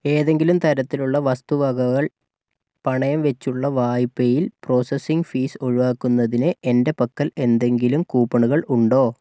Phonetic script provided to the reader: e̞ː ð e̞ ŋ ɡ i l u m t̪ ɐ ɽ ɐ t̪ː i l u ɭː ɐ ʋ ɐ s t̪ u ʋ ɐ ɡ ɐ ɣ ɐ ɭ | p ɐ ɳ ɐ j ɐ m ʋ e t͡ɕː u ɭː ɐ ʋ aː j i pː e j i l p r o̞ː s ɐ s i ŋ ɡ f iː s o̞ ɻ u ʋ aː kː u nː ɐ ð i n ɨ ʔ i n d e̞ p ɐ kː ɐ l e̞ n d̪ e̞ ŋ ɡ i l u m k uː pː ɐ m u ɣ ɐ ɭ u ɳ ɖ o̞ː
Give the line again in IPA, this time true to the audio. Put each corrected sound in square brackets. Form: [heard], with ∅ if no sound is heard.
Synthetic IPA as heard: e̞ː ð e̞ ŋ ɡ i l u m t̪ ɐ [ɾ] ɐ t̪ː i l u ɭː ɐ ʋ ɐ s t̪ u ʋ ɐ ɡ ɐ ɣ ɐ ɭ | p ɐ ɳ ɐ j ɐ m ʋ e t͡ɕː u ɭː ɐ ʋ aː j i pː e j i l p r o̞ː s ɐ s i ŋ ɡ f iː s o̞ ɻ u ʋ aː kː u nː ɐ ð i n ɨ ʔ [e] n d e̞ p ɐ kː ɐ l e̞ n d̪ e̞ ŋ ɡ i l u m k uː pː ɐ [ɳ] u ɣ ɐ ɭ u ɳ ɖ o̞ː

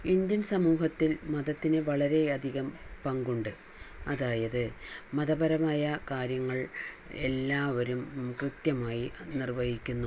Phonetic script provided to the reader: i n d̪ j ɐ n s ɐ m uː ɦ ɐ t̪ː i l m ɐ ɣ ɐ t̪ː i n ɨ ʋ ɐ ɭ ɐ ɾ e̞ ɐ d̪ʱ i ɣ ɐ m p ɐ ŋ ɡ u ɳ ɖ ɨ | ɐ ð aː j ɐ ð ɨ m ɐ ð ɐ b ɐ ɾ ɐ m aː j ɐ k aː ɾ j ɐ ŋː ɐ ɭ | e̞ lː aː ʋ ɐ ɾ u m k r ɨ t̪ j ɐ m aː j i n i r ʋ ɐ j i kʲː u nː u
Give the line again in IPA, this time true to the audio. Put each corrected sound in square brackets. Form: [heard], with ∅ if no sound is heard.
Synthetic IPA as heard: i n d̪ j ɐ n s ɐ m uː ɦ ɐ t̪ː i l m ɐ [ð] ɐ t̪ː i n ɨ ʋ ɐ ɭ ɐ ɾ e̞ ɐ d̪ʱ i ɣ ɐ m p ɐ ŋ ɡ u ɳ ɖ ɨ | ɐ ð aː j ɐ ð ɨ m ɐ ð ɐ b ɐ ɾ ɐ m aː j ɐ k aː ɾ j ɐ ŋː ɐ ɭ | e̞ lː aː ʋ ɐ ɾ u m k r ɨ t̪ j ɐ m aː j i n i r ʋ ɐ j i kʲː u nː u

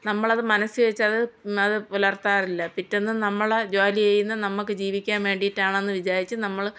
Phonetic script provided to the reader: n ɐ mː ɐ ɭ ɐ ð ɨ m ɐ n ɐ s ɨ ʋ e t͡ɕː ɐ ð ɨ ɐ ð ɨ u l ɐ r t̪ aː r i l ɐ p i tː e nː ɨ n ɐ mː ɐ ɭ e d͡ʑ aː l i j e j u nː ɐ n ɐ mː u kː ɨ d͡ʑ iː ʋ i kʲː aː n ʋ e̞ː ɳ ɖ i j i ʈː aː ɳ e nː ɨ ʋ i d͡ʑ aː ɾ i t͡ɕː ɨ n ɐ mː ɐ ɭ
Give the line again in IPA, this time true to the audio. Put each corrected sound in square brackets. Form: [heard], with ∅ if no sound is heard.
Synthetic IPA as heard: n ɐ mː ɐ ɭ ɐ ð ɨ m ɐ n ɐ s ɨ ʋ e t͡ɕː ɐ ð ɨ ɐ ð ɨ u l ɐ r t̪ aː r i [lː] ɐ p i tː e nː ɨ n ɐ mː ɐ ɭ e d͡ʑ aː l i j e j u nː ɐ n ɐ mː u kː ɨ d͡ʑ iː ʋ i kʲː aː n ʋ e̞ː ɳ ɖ i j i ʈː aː ɳ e nː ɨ ʋ i d͡ʑ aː ɾ i t͡ɕː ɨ n ɐ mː ɐ ɭ

